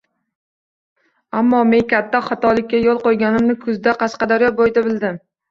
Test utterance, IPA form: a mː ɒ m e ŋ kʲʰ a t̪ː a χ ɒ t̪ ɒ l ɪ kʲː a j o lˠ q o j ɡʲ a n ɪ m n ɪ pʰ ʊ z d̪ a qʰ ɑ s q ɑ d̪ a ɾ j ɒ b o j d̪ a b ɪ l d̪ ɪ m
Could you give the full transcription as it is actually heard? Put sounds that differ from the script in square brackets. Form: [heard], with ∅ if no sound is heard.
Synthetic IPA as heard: a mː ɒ m e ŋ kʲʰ a t̪ː a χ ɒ t̪ ɒ l ɪ kʲː a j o lˠ q o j ɡʲ a n ɪ m n ɪ [kʰ] ʊ z d̪ a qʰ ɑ s q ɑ d̪ a ɾ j ɒ b o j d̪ a b ɪ l d̪ ɪ m